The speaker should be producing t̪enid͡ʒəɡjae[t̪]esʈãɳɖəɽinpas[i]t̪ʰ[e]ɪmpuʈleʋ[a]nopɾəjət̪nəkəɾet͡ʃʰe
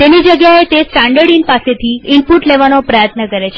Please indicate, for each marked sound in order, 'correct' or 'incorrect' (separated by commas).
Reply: correct, incorrect, incorrect, correct